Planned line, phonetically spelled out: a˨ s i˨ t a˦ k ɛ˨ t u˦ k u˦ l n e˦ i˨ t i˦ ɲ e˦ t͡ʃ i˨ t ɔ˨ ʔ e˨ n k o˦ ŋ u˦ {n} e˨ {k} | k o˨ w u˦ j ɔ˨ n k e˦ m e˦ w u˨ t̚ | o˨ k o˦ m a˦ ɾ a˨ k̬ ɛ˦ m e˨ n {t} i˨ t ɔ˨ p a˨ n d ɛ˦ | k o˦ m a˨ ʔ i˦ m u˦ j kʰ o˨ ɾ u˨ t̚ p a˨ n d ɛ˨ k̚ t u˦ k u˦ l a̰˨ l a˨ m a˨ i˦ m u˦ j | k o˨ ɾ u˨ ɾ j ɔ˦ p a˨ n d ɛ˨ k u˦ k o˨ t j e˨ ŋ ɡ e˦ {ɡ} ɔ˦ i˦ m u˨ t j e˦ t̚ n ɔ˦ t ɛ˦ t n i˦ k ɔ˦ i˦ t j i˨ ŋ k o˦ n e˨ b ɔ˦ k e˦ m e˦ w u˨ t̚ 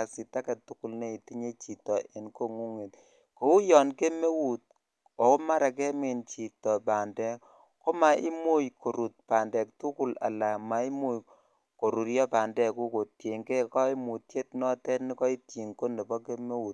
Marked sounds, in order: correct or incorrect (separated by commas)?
incorrect, incorrect, incorrect, incorrect